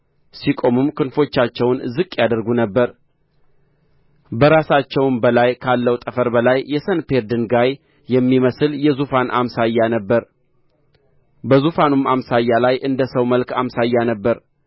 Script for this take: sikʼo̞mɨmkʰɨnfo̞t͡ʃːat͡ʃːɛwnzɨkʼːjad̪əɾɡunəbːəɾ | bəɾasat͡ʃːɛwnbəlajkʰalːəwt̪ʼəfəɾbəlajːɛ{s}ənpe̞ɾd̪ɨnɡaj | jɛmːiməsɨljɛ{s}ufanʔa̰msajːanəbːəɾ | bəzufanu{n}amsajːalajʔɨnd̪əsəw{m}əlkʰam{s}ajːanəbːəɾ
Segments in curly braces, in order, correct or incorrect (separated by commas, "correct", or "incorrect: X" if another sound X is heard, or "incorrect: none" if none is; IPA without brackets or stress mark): correct, incorrect: z, incorrect: m, correct, correct